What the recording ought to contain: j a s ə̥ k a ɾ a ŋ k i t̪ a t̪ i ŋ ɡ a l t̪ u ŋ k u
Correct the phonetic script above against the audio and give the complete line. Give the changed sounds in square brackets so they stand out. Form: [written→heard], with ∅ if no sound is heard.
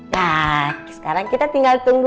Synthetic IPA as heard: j a s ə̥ k a ɾ a ŋ k i t̪ a t̪ i ŋ ɡ a l t̪ u ŋ [k→ɡ] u